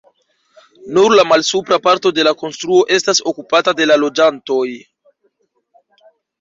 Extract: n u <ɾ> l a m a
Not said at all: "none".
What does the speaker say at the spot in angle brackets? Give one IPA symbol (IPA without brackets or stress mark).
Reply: ɾ